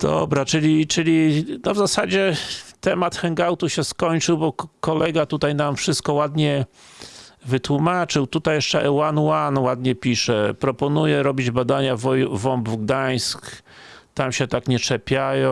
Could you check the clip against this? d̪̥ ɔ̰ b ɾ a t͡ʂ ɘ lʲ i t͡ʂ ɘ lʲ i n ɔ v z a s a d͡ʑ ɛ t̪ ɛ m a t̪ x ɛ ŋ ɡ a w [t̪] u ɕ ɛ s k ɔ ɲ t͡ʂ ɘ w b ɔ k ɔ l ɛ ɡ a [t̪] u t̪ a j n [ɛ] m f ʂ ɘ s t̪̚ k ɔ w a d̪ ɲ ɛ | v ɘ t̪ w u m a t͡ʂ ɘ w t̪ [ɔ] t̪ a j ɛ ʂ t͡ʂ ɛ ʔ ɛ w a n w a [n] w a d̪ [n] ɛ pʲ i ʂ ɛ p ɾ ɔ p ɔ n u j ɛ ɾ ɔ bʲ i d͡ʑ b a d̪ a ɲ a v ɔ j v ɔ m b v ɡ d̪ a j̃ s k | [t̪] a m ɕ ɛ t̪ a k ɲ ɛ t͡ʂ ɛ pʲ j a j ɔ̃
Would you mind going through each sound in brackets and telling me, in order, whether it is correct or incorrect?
correct, correct, incorrect: a, incorrect: u, correct, incorrect: ɲ, correct

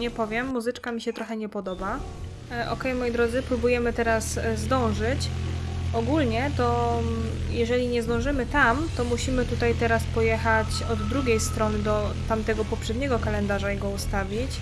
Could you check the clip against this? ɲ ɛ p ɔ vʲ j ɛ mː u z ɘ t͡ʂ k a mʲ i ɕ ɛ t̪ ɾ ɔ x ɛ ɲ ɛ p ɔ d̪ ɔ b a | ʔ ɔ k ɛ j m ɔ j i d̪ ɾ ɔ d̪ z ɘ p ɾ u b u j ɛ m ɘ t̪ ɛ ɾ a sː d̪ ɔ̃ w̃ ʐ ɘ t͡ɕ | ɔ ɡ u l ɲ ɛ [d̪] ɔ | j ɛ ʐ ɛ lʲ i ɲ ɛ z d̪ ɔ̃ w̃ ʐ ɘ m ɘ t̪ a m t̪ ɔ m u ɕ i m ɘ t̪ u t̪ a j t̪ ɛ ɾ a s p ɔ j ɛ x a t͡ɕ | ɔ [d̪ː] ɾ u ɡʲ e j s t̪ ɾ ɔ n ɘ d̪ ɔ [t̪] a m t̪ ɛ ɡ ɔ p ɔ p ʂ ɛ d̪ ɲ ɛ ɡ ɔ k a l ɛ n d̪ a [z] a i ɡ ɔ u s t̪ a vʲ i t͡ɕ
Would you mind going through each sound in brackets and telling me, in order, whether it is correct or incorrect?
incorrect: t̪, correct, correct, incorrect: ʐ

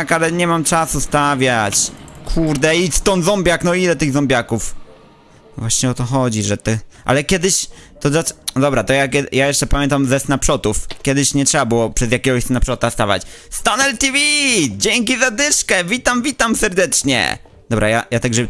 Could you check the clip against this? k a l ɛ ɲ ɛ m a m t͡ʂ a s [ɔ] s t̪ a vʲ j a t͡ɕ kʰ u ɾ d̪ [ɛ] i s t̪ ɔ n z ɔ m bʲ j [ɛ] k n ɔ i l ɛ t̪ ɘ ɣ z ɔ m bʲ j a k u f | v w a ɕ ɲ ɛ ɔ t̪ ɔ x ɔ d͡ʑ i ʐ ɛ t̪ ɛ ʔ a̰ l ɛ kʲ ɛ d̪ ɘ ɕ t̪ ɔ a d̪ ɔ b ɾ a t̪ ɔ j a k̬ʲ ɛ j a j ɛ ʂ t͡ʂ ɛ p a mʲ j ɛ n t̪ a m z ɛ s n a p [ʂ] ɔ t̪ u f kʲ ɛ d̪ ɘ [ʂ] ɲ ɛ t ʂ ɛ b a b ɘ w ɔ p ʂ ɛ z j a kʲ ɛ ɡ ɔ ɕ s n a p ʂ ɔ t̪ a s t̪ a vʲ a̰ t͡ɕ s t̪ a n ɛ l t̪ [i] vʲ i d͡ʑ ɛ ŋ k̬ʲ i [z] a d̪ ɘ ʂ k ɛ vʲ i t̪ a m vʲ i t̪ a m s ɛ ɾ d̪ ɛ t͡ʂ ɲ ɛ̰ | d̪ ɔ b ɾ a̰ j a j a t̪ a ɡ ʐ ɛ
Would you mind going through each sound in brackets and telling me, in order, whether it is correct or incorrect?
incorrect: u, correct, incorrect: a, correct, incorrect: ɕ, correct, correct

